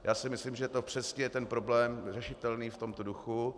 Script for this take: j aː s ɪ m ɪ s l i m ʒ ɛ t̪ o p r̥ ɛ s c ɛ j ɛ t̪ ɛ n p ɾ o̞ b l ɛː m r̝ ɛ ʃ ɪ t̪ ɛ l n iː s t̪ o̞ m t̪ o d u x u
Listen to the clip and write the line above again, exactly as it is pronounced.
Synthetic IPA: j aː s ɪ m ɪ s l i m ʒ ɛ t̪ o p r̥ ɛ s c ɛ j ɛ t̪ ɛ n p ɾ o̞ b l ɛː m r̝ ɛ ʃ ɪ t̪ ɛ l n iː f t̪ o̞ m t̪ o d u x u

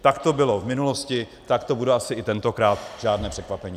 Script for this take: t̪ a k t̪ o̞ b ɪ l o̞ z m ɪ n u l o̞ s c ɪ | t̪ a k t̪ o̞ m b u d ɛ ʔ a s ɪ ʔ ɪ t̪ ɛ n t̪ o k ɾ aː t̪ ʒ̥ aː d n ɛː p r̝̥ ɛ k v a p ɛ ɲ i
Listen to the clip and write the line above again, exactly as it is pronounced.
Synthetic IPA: t̪ a k t̪ o̞ b ɪ l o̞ v m ɪ n u l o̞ s c ɪ | t̪ a k t̪ o̞ b u d ɛ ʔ a s ɪ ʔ ɪ t̪ ɛ n t̪ o k ɾ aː t̪ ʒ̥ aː d n ɛː p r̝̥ ɛ k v a p ɛ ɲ i

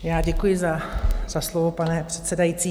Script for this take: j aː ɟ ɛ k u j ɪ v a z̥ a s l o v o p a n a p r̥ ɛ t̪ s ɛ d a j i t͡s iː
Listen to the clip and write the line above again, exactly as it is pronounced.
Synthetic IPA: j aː ɟ ɛ k u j ɪ z a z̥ a s l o v o p a n ɛ p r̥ ɛ t̪ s ɛ d a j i t͡s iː

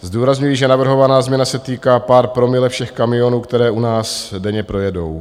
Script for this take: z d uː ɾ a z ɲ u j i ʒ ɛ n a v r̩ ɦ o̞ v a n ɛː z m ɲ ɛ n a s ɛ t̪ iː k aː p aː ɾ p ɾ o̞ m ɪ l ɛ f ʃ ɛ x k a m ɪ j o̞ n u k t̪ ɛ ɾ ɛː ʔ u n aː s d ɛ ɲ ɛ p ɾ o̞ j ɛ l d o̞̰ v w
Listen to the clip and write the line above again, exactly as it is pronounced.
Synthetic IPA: z d uː ɾ a z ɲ u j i ʒ ɛ n a v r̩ ɦ o̞ v a n aː z m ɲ ɛ n a s ɛ t̪ iː k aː p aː ɾ p ɾ o̞ m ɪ l ɛ f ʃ ɛ x k a m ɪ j o̞ n uː k t̪ ɛ ɾ ɛː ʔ u n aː s d ɛ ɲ ɛ p ɾ o̞ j ɛ d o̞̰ w

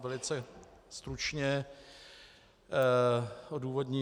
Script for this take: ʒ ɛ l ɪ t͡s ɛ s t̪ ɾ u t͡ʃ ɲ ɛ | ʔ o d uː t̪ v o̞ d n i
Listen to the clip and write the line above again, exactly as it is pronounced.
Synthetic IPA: v ɛ l ɪ t͡s ɛ s t̪ ɾ u t͡ʃ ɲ ɛ | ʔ o d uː v o̞ d ɲ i

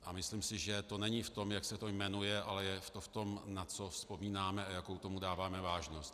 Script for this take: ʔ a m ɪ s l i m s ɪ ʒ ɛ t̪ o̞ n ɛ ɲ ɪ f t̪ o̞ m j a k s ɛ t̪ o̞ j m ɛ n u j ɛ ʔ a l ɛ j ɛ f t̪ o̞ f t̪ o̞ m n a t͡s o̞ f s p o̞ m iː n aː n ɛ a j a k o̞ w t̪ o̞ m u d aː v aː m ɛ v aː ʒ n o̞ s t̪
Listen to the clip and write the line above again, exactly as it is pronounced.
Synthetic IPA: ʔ a m ɪ s l i m s ɪ ʒ ɛ t̪ o̞ n ɛ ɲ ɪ f t̪ o̞ m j a k s ɛ t̪ o̞ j m ɛ n u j ɛ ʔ a l ɛ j ɛ f t̪ o̞ f t̪ o̞ m n a t͡s o̞ f s p o̞ m iː n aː m ɛ a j a k o̞ w t̪ o̞ m u d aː v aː m ɛ v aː ʒ n o̞ s t̪

